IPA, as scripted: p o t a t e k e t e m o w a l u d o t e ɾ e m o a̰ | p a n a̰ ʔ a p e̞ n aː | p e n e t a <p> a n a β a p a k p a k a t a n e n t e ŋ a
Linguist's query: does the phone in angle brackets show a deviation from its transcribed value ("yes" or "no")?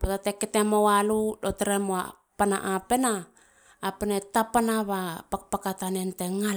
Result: no